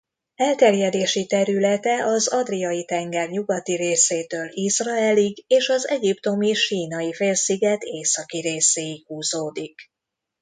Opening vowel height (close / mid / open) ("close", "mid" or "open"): mid